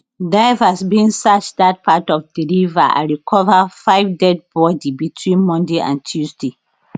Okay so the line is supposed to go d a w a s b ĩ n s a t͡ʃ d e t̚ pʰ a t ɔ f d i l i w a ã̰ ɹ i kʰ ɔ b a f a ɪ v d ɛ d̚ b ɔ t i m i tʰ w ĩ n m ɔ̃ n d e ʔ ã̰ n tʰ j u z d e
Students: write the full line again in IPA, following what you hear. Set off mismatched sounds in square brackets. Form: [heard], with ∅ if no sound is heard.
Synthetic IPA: d a [v] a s b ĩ n s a t͡ʃ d [a] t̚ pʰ a t ɔ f d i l i [v] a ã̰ ɹ i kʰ ɔ [v] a f a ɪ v d ɛ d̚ b ɔ [d] i [b] i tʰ w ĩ n m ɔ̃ n d e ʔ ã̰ n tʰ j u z d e